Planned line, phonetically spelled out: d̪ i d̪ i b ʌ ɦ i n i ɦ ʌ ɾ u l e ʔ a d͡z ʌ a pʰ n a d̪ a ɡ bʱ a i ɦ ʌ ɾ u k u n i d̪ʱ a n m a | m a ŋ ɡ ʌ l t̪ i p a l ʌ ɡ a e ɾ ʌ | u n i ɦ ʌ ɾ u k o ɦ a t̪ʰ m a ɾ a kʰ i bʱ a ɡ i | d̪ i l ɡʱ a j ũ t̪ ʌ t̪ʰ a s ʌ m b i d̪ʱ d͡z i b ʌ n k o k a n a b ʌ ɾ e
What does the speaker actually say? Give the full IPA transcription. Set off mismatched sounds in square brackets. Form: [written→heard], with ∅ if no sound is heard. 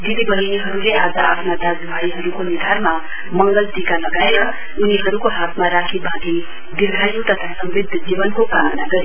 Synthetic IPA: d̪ i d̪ i b ʌ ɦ i n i ɦ ʌ ɾ u l e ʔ a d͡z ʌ a pʰ n a d̪ a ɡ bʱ a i ɦ ʌ ɾ u k [u→o] n i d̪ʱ a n m a | m [a→ʌ] ŋ ɡ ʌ l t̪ i [p→k] a l ʌ ɡ a e ɾ ʌ | u n i ɦ ʌ ɾ u k o ɦ a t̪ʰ m a ɾ a kʰ i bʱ a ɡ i | d̪ i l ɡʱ a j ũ t̪ ʌ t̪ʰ a s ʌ m b i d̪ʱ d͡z i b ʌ n k o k a n a [b→ɡ] ʌ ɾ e